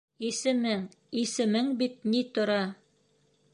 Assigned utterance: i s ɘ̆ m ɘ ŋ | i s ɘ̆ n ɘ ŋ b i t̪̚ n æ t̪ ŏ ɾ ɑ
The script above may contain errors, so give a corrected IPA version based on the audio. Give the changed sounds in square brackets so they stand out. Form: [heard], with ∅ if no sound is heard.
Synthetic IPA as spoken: i s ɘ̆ m ɘ ŋ | i s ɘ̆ [m] ɘ ŋ b i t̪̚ n [i] t̪ ŏ ɾ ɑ